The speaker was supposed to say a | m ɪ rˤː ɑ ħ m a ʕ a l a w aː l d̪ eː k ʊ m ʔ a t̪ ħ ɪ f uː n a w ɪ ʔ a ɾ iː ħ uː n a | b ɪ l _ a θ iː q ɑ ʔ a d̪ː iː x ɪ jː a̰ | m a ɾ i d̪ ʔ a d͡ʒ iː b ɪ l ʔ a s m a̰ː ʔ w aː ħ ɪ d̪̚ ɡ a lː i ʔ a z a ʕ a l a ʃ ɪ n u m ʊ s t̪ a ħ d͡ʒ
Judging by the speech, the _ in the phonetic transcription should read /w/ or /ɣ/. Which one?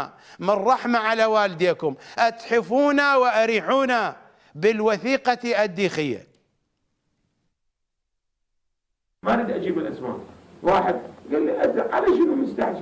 w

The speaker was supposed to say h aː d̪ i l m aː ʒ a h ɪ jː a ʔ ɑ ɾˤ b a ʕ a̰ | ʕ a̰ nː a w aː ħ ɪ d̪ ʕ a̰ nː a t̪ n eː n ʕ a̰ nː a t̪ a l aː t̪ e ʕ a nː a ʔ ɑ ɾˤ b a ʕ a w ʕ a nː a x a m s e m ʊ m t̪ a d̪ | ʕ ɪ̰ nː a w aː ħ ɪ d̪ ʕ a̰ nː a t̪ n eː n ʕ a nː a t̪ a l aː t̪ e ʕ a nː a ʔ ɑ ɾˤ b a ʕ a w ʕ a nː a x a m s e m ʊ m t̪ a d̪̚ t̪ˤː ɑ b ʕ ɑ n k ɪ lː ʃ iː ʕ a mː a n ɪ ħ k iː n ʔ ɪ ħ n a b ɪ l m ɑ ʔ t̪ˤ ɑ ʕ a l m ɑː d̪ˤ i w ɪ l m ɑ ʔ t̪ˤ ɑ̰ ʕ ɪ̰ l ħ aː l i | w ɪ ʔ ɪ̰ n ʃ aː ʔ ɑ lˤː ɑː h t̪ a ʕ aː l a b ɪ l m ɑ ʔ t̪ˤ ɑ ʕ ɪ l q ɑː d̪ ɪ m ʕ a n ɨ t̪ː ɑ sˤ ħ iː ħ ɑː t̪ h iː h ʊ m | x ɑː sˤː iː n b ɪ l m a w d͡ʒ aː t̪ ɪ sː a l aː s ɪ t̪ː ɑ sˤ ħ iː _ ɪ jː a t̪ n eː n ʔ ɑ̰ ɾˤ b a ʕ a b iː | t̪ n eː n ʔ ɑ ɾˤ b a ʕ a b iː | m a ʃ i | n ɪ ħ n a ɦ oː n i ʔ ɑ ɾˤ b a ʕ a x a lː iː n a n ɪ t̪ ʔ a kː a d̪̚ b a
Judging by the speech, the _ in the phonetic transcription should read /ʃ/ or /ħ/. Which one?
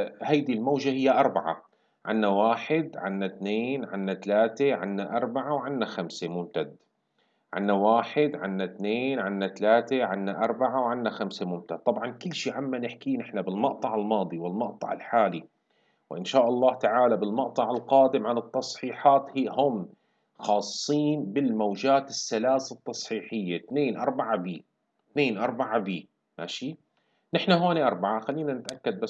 ħ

